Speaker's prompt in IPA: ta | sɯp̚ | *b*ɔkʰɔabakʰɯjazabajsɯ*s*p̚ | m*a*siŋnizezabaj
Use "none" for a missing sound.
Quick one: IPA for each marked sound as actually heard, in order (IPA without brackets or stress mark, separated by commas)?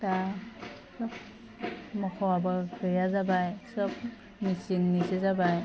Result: m, none, i